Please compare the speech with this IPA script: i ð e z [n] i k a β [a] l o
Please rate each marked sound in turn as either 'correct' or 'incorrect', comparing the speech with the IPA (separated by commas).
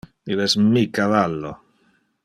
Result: incorrect, correct